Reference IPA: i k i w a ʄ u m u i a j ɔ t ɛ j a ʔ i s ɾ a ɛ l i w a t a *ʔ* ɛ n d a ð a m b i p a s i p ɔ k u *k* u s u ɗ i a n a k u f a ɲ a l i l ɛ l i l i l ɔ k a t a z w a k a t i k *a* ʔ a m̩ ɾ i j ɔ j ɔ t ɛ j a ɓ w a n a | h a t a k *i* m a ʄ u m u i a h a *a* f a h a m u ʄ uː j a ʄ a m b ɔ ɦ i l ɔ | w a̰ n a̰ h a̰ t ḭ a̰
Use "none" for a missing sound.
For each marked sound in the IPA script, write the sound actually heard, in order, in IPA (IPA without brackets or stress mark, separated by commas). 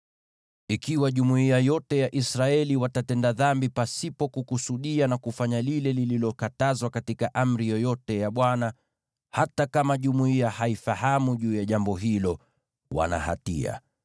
t, k, a, a, i